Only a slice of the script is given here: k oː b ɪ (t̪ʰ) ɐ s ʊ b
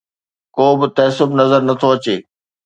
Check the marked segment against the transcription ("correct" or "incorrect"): incorrect